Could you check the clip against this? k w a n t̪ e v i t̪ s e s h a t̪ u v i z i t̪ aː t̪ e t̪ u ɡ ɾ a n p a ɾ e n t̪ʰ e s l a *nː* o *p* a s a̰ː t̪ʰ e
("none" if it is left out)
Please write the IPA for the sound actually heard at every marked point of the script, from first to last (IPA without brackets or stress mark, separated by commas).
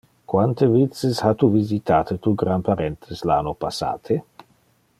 n, p